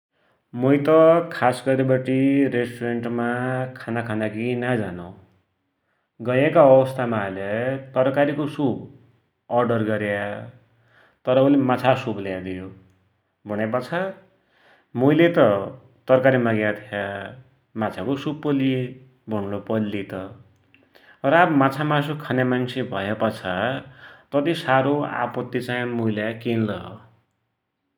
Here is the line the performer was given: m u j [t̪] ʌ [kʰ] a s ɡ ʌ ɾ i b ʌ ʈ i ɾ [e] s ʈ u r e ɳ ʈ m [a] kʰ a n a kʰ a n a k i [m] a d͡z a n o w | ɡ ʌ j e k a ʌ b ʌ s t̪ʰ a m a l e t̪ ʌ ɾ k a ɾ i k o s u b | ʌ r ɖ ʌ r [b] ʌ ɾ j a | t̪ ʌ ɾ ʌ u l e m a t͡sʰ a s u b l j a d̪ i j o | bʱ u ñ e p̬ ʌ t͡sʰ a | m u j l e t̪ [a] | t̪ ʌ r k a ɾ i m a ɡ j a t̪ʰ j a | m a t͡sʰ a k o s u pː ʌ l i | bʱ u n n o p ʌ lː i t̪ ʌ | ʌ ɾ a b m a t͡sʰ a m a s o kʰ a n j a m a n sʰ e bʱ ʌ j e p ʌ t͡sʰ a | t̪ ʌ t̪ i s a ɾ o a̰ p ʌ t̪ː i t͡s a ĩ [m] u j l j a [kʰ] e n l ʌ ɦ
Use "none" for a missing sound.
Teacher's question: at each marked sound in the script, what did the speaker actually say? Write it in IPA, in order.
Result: t̪, kʰ, e, a, n, ɡ, ʌ, m, k

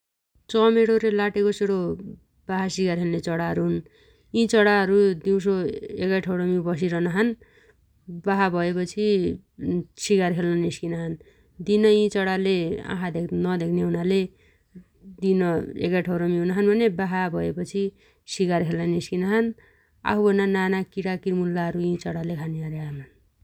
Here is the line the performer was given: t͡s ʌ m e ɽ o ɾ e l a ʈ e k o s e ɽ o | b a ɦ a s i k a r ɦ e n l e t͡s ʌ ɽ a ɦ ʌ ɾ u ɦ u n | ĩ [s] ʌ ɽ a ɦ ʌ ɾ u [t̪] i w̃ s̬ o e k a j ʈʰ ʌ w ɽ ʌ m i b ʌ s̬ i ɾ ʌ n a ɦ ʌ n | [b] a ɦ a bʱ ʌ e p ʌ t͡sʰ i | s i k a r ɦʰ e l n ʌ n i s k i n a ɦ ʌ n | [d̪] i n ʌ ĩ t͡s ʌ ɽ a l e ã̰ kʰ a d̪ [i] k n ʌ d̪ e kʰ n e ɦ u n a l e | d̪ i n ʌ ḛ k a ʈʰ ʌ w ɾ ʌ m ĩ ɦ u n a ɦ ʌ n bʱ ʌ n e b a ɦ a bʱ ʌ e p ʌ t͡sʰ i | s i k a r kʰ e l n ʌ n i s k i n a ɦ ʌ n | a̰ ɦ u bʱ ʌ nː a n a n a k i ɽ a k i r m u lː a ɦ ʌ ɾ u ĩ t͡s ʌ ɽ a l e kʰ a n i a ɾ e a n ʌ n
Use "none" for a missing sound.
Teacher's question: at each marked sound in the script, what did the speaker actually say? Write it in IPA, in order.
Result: t͡s, d̪, b, d̪, e

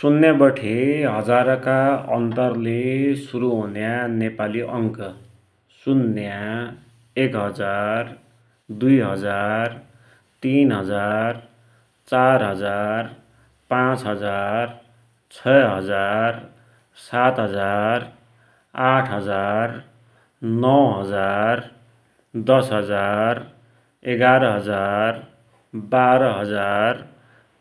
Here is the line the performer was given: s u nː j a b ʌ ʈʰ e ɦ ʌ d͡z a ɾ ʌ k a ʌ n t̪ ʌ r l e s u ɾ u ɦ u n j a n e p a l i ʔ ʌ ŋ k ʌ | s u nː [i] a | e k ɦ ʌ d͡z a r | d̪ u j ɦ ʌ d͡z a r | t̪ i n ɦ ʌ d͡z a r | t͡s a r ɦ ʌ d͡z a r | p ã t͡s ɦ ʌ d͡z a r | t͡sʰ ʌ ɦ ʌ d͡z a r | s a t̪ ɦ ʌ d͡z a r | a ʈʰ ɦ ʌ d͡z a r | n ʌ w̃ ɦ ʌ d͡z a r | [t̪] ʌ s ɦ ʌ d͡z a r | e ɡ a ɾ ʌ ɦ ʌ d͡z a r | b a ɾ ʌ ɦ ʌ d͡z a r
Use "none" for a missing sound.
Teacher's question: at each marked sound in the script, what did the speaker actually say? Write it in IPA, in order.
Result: j, d̪

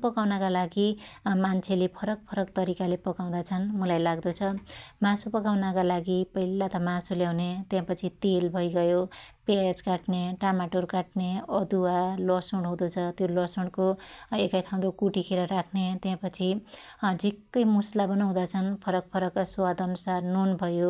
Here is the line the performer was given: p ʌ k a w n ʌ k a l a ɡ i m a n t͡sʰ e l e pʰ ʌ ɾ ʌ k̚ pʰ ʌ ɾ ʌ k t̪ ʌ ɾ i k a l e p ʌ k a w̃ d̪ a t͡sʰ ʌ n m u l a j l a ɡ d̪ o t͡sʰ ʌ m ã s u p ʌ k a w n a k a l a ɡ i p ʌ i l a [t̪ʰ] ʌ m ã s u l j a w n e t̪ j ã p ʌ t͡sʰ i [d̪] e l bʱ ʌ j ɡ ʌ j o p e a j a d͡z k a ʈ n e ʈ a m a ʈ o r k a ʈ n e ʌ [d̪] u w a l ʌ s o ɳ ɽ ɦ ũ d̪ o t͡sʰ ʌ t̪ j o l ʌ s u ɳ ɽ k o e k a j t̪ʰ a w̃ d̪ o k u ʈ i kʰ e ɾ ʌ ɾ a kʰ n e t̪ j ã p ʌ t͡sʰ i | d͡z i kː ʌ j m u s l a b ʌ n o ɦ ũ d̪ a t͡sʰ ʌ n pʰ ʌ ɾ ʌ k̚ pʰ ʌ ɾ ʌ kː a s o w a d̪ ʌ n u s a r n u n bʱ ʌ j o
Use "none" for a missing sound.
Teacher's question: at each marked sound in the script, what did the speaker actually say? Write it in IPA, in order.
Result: t̪, t̪, d̪

